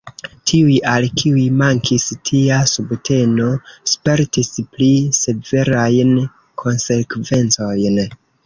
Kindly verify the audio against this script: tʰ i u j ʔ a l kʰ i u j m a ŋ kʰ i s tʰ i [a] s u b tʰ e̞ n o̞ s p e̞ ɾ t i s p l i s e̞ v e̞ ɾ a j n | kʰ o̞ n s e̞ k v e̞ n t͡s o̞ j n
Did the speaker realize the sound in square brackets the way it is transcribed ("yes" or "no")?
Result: yes